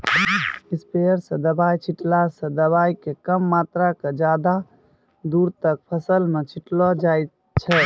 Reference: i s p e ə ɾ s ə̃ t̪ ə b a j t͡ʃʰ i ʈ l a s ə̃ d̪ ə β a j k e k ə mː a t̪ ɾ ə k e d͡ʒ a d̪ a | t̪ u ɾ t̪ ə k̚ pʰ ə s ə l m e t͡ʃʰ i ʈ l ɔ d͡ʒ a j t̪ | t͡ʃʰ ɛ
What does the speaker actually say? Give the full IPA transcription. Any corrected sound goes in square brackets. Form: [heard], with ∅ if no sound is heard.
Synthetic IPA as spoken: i s p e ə ɾ s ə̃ [d̪] ə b a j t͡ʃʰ i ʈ l a s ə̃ d̪ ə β a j k e k ə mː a t̪ ɾ [a] k e d͡ʒ a d̪ a | [d̪] u ɾ t̪ ə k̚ pʰ ə s ə l m e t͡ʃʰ i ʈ l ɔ d͡ʒ a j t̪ | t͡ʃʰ ɛ